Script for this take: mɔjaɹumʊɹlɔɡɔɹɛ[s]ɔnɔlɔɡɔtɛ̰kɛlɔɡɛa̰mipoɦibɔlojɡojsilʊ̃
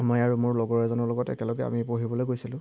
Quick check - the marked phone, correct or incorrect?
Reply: incorrect